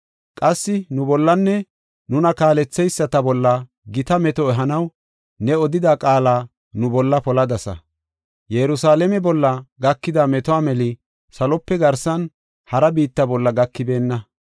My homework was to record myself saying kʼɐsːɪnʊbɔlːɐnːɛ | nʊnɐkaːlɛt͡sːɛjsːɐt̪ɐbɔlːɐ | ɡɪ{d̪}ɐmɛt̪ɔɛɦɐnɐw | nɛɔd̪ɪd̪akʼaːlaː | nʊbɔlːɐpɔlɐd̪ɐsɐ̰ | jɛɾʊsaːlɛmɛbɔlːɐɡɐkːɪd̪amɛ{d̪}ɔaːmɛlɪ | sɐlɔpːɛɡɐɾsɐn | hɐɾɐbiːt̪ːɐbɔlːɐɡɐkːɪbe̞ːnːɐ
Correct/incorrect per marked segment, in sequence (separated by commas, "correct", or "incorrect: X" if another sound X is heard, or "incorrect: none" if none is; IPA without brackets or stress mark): incorrect: t̪, incorrect: t̪